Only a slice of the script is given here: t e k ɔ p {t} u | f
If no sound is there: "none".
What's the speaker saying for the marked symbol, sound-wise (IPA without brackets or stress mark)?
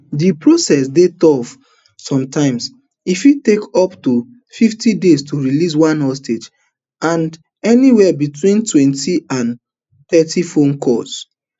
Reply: t